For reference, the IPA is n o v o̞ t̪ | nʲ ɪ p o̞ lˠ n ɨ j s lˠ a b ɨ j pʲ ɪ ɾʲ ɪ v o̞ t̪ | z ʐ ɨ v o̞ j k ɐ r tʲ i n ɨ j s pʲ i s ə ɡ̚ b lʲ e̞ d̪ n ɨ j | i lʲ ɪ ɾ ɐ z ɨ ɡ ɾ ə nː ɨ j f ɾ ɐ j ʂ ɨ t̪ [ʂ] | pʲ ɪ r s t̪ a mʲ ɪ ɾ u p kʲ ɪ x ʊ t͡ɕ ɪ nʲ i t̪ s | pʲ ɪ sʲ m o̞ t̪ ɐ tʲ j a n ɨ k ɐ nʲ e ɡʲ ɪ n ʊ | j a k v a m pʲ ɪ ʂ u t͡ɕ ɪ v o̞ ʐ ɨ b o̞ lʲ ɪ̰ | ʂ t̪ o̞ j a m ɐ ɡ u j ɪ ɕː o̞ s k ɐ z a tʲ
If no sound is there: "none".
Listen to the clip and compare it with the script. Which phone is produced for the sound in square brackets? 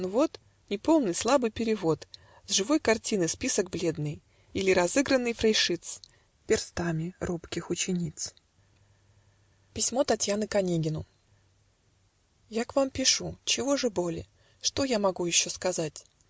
s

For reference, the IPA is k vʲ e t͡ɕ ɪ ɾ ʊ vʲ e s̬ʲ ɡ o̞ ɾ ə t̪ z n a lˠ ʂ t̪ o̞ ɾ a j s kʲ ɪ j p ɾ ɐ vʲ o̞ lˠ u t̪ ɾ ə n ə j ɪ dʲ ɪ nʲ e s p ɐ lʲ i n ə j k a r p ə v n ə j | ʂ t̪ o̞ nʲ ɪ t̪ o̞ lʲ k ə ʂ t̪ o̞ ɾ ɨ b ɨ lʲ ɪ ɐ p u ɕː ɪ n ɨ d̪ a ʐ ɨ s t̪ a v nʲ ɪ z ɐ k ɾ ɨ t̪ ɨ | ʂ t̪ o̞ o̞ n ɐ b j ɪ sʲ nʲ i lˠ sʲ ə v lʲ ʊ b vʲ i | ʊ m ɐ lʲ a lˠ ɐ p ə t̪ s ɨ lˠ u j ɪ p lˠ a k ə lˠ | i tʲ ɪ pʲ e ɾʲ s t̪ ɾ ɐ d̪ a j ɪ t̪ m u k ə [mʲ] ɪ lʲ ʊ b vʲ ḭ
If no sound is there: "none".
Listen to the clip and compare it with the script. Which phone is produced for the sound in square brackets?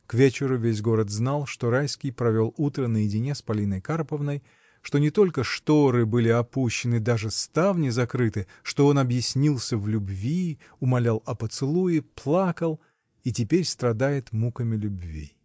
mʲ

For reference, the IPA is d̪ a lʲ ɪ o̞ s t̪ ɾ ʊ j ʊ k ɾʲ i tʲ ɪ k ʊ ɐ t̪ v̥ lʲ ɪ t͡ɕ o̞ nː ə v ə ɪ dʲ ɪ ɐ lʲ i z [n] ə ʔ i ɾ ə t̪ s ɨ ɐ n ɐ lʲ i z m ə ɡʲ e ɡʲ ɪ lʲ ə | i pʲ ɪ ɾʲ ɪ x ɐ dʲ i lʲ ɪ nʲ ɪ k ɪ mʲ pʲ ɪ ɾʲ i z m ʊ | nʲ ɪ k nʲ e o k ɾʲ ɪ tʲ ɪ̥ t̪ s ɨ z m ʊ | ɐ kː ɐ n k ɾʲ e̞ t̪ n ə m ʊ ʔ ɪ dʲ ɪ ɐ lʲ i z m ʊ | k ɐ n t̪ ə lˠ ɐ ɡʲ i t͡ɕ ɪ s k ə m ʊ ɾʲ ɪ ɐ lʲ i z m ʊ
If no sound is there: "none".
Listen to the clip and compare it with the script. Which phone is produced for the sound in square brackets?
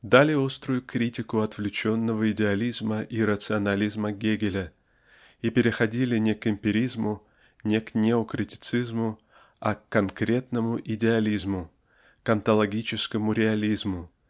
m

